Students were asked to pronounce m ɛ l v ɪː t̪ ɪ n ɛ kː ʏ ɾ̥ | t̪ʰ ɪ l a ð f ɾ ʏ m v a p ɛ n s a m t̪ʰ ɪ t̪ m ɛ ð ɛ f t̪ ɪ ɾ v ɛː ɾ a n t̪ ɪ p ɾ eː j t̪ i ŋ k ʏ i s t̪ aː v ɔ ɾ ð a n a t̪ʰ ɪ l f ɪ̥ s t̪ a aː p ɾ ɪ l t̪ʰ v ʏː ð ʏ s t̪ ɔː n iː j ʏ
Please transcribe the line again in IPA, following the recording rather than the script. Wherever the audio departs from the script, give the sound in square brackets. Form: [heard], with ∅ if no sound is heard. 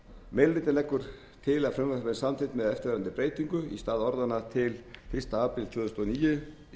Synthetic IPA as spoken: m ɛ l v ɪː t̪ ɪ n ɛ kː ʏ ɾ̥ | t̪ʰ ɪ l a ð f ɾ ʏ m v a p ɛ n s a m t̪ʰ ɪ t̪ m ɛ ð ɛ f t̪ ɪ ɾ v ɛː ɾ a n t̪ ɪ p ɾ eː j t̪ i ŋ k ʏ i s t̪ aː [ð] ɔ ɾ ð a n a t̪ʰ ɪ l f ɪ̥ s t̪ a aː p ɾ ɪ l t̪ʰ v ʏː ð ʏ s t̪ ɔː n iː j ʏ